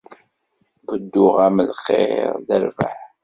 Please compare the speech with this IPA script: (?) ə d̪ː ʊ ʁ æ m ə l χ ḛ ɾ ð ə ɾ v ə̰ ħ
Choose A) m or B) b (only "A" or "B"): B